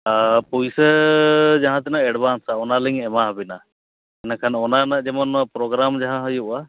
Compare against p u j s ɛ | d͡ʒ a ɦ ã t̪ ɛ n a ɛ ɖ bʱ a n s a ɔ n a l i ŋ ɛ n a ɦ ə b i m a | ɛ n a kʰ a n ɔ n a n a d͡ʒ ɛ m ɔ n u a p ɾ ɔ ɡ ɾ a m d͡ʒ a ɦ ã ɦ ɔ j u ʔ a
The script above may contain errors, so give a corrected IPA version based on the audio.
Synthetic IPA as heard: p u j s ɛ | d͡ʒ a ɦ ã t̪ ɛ n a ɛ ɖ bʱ a n s a ɔ n a l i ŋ ɛ m a ɦ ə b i n a | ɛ n a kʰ a n ɔ n a n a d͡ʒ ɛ m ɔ n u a p ɾ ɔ ɡ ɾ a m d͡ʒ a ɦ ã ɦ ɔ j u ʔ a